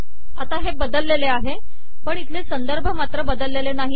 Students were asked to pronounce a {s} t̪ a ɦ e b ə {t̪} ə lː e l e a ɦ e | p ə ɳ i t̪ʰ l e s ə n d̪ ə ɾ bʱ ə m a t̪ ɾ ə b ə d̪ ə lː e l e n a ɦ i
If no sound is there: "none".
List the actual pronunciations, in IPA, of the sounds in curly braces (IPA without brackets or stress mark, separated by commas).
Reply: none, d̪